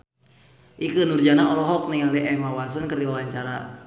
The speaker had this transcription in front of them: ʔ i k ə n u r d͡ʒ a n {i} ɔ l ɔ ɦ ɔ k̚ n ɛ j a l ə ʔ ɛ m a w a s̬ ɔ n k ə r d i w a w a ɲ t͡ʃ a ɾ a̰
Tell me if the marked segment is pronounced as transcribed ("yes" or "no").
no